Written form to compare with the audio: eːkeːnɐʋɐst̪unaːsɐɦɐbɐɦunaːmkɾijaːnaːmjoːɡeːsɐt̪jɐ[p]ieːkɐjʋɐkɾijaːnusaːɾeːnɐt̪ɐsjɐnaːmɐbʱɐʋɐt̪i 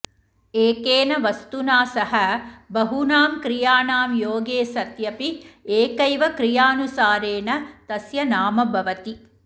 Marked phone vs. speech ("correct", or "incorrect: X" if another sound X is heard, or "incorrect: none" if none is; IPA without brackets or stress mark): correct